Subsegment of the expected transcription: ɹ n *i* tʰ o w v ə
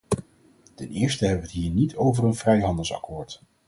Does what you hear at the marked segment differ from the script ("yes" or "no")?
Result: no